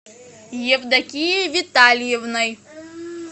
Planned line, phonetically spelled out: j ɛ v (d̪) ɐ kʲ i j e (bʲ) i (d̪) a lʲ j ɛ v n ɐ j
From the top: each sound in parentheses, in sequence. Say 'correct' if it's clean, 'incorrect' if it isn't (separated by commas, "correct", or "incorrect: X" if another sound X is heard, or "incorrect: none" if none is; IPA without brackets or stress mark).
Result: correct, incorrect: vʲ, incorrect: t̪